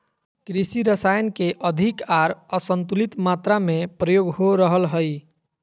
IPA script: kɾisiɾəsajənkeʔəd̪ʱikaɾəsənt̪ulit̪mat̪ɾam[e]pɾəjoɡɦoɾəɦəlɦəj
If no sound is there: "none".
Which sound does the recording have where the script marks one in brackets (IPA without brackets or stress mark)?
e